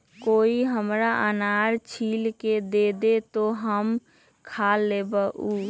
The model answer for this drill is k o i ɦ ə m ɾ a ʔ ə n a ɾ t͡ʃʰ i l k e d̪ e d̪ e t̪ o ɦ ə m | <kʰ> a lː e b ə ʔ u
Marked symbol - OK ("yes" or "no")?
yes